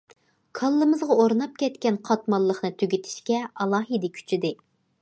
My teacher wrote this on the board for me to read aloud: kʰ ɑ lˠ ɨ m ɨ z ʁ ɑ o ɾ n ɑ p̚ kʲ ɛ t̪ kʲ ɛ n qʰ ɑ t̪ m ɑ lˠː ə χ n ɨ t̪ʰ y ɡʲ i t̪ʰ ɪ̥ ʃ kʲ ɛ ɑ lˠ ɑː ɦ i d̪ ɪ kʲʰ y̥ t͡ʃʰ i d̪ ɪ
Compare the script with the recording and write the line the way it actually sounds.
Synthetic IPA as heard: kʰ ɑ lˠː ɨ m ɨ z ʁ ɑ o ɾ n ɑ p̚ kʲ ɛ t̪ kʲ ɛ n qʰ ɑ t̪ m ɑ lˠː ə χ n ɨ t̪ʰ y ɡʲ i t̪ʰ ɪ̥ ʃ kʲ ɛ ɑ lˠ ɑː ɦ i d̪ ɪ kʲʰ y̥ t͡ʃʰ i d̪ ɪ